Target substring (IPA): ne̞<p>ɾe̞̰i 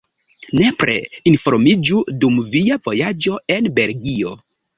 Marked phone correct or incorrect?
correct